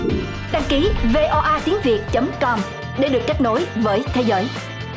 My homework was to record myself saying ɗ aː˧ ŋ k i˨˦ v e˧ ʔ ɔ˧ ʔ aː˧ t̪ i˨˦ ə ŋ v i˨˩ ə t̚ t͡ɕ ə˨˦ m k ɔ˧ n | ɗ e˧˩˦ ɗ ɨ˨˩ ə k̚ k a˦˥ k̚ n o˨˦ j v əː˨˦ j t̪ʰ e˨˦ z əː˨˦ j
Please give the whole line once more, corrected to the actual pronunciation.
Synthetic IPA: ɗ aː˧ ŋ k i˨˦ v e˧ ʔ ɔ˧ ʔ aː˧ t̪ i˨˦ ə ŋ v i˨˩ ə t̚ t͡ɕ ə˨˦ m k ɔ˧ m | ɗ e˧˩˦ ɗ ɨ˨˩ ə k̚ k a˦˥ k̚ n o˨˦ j v əː˨˦ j t̪ʰ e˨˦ z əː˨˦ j